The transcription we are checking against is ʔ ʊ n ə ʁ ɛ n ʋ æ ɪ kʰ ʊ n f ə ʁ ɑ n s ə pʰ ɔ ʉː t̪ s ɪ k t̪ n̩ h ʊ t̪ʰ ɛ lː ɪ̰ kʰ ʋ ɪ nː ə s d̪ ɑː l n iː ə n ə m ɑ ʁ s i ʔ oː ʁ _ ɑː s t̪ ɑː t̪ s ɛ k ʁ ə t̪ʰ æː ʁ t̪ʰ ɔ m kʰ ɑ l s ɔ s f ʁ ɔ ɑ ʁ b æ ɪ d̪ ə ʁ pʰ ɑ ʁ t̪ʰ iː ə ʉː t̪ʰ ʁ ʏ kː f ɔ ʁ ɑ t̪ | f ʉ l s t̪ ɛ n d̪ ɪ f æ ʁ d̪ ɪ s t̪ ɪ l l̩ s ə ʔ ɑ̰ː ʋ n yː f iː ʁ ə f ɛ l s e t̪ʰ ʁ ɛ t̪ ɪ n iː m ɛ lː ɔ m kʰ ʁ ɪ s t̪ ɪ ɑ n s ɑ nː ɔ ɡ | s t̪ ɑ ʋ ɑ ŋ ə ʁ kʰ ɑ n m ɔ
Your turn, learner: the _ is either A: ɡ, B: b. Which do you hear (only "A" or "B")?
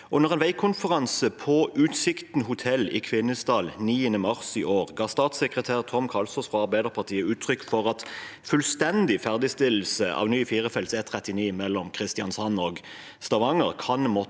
A